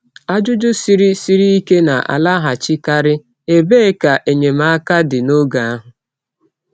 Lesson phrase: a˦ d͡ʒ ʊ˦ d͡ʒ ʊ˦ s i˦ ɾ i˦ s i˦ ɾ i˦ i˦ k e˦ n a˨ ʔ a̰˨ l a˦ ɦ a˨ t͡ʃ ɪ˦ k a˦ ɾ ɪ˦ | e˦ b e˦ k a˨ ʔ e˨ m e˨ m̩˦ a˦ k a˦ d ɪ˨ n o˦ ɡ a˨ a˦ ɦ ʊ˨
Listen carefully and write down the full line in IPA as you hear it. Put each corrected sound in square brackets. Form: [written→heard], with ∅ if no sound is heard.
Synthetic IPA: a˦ d͡ʒ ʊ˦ d͡ʒ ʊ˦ s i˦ ɾ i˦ s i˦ ɾ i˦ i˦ k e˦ n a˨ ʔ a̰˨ l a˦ ɦ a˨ t͡ʃ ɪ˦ k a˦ ɾ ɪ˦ | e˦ b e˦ k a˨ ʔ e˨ [m→ɲ] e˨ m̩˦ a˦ k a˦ d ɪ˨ n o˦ ɡ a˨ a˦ ɦ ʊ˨